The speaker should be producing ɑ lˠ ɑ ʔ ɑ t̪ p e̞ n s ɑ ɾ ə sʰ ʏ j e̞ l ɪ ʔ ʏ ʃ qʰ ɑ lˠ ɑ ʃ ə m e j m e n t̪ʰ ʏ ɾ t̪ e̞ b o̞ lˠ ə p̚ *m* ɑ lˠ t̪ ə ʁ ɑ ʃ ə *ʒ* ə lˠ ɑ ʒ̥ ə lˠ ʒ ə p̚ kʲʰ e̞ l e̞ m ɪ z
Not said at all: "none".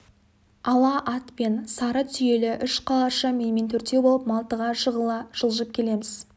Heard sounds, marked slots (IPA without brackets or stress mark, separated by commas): m, ʁ